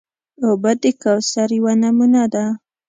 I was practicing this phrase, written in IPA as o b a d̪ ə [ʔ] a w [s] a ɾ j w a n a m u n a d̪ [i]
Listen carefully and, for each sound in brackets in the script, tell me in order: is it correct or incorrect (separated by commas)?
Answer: incorrect, correct, incorrect